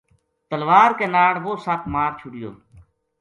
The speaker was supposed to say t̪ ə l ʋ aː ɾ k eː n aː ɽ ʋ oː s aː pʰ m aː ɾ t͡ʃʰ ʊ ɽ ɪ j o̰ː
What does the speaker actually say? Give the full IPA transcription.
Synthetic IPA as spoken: t̪ ə l ʋ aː ɾ k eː n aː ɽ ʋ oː s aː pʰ m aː ɾ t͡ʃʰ ʊ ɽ ɪ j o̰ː